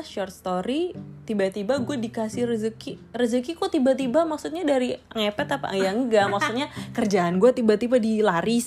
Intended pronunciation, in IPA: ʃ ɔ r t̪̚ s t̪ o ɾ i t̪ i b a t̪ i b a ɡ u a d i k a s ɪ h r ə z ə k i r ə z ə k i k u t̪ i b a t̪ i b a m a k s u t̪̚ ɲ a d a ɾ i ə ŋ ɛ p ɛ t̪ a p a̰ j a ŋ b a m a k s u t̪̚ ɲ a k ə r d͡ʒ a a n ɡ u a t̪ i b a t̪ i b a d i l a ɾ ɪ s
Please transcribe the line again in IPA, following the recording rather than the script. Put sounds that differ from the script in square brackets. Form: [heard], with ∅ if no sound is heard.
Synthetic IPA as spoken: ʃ ɔ r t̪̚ s t̪ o ɾ i t̪ i b a t̪ i b a ɡ u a d i k a s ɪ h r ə z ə k i r ə z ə k i k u t̪ i b a t̪ i b a m a k s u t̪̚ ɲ a d a ɾ i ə ŋ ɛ p ɛ t̪ a p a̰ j a ŋ [ɡ] a m a k s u t̪̚ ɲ a k ə r d͡ʒ a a n ɡ u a t̪ i b a t̪ i b a d i l a ɾ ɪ s